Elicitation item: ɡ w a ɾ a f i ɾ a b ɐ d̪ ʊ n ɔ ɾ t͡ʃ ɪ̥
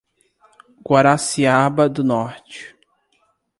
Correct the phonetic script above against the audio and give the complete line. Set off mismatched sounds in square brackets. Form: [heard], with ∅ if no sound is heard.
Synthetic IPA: ɡ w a ɾ a [s] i [∅] a b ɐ d̪ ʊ n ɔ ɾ t͡ʃ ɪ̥